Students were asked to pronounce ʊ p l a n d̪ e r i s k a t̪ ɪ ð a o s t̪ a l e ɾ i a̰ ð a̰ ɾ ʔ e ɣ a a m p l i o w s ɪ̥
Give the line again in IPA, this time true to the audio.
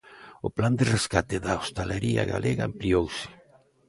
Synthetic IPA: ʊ p l a n d̪ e r e s k a t̪ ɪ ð a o s t̪ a l e ɾ i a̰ ɣ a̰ l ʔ e ɣ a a m p l i o w s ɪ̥